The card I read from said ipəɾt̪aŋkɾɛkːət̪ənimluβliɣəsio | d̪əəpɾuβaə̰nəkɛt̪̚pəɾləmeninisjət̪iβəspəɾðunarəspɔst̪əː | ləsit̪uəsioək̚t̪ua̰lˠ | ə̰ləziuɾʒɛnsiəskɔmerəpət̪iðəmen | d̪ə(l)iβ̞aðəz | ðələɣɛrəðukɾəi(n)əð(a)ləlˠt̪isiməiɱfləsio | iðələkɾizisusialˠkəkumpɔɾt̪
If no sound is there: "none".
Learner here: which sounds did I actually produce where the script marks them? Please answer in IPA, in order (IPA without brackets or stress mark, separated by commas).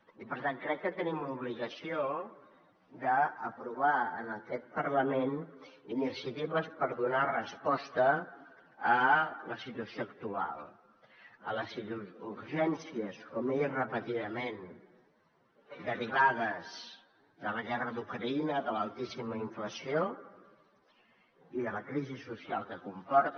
ɾ, n, ə